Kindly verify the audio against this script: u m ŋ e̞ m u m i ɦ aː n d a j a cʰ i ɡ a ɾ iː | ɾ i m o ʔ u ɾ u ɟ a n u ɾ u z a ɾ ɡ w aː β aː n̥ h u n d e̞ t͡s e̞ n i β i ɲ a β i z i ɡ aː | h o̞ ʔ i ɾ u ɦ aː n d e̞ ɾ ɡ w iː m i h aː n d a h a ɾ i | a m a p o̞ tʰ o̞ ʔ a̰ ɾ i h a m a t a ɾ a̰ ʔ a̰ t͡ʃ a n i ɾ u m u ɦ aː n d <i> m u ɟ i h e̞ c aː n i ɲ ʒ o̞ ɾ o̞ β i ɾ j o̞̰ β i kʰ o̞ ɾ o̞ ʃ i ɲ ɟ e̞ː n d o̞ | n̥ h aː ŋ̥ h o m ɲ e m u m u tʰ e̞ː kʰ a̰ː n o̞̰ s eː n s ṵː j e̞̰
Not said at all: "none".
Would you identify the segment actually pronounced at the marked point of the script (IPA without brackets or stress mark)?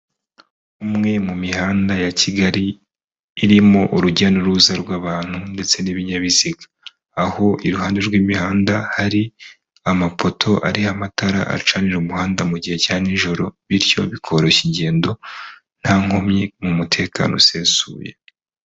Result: a